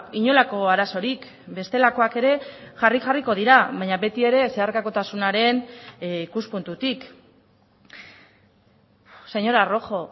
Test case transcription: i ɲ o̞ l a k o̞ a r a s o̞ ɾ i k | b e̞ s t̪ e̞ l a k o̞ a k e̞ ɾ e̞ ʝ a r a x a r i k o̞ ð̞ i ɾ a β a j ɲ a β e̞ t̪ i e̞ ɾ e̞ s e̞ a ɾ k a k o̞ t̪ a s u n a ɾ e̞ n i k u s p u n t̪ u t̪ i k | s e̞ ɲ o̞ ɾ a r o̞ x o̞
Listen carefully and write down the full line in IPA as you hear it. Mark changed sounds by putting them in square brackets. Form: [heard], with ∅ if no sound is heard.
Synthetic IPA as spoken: i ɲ o̞ l a k o̞ a [ɾ] a s o̞ ɾ i k | b e̞ s t̪ e̞ l a k o̞ a k e̞ ɾ e̞ ʝ a r [i] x a r i k o̞ ð̞ i ɾ a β a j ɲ a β e̞ t̪ i e̞ ɾ e̞ s e̞ a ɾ k a k o̞ t̪ a s u n a ɾ e̞ n i k u s p u n t̪ u t̪ i k | s e̞ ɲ o̞ ɾ a r o̞ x o̞